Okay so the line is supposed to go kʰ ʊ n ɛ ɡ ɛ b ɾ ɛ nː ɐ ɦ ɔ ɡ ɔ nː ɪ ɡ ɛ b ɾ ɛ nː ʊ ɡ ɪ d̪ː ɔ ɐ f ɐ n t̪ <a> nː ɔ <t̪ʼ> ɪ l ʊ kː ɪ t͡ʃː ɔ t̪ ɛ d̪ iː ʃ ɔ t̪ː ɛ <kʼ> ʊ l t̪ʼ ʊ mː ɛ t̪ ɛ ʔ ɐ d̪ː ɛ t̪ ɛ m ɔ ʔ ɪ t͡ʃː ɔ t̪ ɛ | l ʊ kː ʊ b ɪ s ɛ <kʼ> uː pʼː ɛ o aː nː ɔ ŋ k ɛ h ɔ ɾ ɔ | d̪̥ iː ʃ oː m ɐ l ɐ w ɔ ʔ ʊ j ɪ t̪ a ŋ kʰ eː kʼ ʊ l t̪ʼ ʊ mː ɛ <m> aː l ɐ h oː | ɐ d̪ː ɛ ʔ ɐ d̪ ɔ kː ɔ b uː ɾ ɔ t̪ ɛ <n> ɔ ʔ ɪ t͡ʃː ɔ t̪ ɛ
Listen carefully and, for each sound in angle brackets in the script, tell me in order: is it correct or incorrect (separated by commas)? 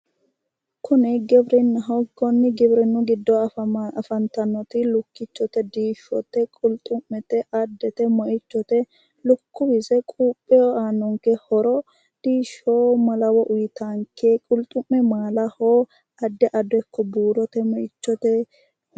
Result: incorrect, incorrect, correct, correct, correct, incorrect